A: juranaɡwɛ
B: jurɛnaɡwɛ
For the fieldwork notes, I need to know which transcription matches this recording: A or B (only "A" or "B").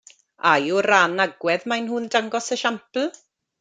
A